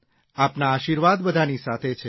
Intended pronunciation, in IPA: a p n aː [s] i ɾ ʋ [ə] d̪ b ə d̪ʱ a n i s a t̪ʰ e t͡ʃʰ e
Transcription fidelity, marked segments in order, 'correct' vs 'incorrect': incorrect, incorrect

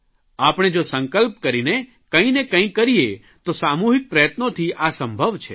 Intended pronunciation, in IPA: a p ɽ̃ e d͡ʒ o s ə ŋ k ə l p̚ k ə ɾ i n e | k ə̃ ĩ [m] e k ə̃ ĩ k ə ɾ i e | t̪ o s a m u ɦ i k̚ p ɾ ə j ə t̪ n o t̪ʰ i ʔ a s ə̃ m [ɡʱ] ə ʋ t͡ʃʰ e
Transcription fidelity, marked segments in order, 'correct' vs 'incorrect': incorrect, incorrect

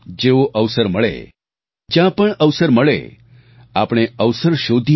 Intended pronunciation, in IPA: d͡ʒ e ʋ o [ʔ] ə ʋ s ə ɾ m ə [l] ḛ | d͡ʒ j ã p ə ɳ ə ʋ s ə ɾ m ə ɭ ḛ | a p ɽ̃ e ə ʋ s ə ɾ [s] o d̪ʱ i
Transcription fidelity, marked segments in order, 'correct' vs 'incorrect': correct, incorrect, incorrect

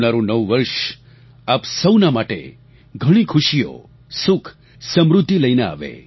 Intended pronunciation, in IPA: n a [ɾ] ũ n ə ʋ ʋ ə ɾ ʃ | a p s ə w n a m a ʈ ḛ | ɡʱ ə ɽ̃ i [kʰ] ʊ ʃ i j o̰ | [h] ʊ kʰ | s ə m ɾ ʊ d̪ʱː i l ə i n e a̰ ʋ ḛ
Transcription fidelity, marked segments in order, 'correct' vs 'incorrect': correct, correct, incorrect

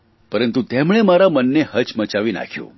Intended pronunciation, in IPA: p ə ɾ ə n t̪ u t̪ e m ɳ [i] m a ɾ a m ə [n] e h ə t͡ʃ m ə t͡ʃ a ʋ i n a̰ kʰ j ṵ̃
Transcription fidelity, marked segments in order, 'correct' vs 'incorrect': incorrect, incorrect

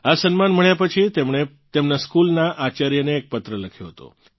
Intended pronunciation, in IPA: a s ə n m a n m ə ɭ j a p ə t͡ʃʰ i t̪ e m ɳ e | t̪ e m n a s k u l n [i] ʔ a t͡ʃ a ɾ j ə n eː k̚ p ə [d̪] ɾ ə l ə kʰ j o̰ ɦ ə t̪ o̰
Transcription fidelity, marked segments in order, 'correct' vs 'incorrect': incorrect, incorrect

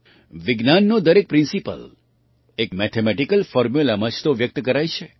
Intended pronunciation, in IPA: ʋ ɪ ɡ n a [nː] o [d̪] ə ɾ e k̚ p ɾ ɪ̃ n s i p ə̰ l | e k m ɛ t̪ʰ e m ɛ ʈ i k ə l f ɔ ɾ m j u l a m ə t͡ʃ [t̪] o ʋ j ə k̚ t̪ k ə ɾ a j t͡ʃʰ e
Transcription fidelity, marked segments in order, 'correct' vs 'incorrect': correct, correct, correct

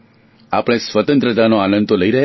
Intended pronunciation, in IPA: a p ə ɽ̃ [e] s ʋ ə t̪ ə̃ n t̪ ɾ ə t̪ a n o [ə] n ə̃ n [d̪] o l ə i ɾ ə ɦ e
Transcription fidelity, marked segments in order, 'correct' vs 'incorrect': correct, incorrect, incorrect

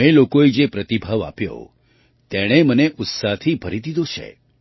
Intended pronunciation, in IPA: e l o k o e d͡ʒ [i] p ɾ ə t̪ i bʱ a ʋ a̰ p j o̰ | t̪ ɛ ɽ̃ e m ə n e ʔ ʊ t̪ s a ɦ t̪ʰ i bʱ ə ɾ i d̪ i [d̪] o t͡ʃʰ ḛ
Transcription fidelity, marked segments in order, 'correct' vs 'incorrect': incorrect, correct

